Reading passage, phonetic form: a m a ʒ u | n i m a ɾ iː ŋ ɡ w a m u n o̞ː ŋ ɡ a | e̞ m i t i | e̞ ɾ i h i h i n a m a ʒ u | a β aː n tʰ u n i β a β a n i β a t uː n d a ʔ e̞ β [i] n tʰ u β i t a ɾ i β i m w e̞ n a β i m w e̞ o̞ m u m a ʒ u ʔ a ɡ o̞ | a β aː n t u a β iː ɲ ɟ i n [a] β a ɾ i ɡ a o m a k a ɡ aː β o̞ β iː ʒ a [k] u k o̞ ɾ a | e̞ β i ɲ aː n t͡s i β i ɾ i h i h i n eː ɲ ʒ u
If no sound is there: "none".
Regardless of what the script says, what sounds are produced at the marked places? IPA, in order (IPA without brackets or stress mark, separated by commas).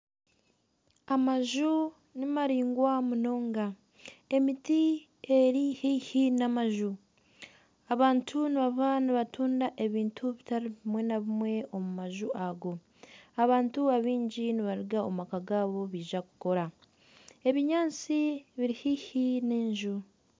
iː, i, k